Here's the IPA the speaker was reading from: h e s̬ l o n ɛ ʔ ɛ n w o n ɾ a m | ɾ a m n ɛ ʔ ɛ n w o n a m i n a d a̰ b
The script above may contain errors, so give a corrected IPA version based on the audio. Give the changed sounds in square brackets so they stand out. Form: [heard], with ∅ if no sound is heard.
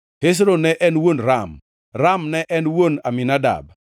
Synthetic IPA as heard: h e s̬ [ɾ] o n ɛ ʔ ɛ n w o n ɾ a m | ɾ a m n ɛ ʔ ɛ n w o n a m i n a d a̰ b